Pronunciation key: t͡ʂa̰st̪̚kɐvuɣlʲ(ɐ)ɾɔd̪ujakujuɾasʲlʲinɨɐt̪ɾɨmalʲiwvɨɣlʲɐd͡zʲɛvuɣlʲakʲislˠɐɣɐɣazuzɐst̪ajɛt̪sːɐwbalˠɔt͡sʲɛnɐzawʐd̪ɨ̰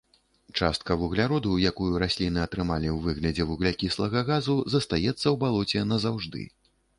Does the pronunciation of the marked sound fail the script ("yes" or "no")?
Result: yes